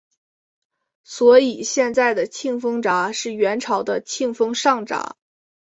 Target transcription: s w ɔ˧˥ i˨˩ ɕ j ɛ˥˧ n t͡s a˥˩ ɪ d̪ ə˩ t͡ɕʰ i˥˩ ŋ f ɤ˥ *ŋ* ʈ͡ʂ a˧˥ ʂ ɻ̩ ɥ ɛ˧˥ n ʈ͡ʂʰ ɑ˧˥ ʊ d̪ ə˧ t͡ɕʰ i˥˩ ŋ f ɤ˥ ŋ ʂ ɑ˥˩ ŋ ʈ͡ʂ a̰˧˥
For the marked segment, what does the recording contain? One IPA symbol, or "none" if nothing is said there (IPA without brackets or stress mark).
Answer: ŋ